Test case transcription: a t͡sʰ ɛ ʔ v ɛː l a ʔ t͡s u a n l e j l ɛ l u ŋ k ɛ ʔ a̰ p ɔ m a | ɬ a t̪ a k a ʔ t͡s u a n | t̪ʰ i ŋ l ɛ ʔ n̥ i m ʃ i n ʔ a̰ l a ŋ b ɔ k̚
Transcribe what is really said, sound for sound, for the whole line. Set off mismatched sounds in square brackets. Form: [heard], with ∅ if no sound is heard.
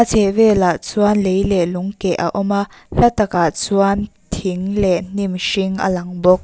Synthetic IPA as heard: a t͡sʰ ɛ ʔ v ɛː l a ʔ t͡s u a n l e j l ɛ l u ŋ k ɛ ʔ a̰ [ʔ] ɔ m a | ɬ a t̪ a k a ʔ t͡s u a n | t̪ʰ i ŋ l ɛ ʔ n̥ i m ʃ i [ŋ] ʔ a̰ l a ŋ b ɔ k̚